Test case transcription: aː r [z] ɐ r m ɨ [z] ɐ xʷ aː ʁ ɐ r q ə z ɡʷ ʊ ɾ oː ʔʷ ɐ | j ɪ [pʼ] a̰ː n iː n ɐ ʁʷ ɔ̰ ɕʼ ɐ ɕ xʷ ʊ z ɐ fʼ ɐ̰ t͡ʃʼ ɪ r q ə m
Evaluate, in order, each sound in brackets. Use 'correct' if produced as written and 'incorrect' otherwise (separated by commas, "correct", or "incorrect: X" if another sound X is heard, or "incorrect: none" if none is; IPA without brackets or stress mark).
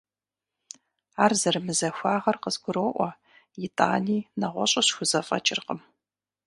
correct, correct, incorrect: tʼ